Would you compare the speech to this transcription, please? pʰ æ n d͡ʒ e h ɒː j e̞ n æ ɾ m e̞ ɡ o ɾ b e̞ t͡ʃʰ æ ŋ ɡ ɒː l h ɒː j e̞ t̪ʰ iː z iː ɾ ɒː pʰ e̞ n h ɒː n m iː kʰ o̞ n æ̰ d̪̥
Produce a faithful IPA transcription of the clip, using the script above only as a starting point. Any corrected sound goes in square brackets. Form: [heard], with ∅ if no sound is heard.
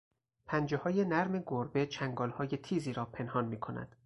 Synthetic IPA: pʰ æ n d͡ʒ e h ɒː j e̞ n æ ɾ m e̞ ɡ o ɾ b e̞ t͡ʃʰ æ ŋ ɡ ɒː l h ɒː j e̞ t̪ʰ iː z iː ɾ ɒː pʰ e̞ n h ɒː n m iː kʰ o̞ n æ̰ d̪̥